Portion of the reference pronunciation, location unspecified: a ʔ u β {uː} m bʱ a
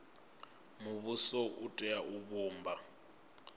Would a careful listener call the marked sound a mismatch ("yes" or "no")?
no